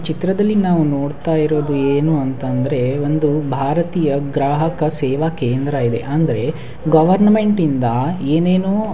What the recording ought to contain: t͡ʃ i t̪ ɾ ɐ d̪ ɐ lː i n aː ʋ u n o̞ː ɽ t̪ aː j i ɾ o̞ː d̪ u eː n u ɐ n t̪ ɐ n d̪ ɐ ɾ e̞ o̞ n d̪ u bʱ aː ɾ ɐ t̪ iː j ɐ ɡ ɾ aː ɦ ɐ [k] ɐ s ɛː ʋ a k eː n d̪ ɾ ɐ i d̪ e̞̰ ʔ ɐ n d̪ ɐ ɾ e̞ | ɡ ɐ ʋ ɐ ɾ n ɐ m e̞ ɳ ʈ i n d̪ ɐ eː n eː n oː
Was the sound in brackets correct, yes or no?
yes